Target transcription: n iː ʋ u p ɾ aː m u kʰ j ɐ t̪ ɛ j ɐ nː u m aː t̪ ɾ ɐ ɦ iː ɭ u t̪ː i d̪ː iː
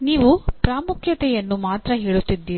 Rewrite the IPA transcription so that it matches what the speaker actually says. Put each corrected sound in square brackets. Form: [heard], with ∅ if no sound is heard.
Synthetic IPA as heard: n iː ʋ u p ɾ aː m u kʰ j ɐ t̪ ɛ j ɐ nː u m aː t̪ ɾ ɐ ɦ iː ɭ u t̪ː i d̪ː iː